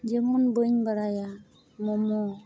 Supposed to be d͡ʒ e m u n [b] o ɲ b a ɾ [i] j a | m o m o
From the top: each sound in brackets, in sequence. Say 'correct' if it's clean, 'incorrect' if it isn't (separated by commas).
correct, incorrect